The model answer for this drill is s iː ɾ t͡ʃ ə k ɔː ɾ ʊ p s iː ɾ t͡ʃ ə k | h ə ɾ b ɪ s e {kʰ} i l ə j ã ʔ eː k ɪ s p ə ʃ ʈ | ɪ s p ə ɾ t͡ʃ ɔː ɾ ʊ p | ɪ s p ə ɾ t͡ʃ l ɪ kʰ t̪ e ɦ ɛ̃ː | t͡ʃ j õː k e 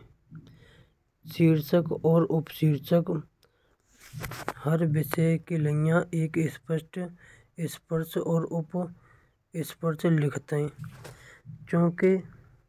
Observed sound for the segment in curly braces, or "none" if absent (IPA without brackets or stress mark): k